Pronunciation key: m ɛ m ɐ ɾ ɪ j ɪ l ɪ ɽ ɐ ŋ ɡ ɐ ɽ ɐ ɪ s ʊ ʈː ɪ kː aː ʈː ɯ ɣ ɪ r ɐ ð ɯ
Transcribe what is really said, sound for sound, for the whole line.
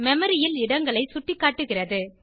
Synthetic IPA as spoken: m ɛ m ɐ ɾ ɪ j ɪ l ɪ ɽ ɐ ŋ ɡ ɐ ɭ ɐ ɪ s ʊ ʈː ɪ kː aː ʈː ɯ ɣ ɪ r ɐ ð ɯ